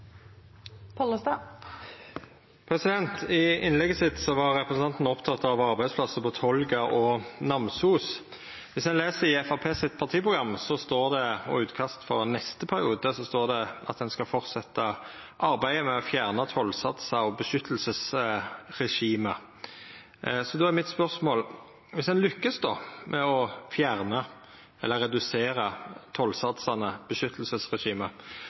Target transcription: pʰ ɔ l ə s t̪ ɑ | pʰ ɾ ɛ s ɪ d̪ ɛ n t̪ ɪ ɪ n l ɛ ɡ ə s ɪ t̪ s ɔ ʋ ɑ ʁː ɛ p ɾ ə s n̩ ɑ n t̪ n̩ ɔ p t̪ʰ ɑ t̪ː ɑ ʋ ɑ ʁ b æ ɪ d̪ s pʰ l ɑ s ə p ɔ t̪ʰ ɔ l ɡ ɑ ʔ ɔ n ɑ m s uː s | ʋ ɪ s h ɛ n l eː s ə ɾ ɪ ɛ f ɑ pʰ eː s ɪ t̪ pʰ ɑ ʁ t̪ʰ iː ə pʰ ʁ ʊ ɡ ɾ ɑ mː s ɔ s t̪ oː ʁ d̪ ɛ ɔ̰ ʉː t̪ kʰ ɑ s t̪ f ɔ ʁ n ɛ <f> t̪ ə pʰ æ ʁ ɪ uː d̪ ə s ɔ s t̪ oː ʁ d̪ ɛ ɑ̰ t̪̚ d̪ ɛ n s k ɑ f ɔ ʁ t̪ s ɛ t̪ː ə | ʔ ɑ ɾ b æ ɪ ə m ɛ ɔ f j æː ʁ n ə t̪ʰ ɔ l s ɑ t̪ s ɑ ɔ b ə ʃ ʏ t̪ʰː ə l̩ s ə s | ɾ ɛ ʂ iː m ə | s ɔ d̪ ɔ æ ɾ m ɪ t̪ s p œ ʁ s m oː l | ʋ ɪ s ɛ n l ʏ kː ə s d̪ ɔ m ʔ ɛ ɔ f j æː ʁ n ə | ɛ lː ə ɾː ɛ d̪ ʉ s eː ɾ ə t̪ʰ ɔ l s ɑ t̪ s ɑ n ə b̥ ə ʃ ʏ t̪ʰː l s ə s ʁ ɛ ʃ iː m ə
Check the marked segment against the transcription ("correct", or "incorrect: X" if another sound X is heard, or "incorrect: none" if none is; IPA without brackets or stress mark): incorrect: s